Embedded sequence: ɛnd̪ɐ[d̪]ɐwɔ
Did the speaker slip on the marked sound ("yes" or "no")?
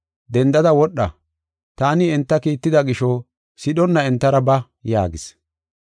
no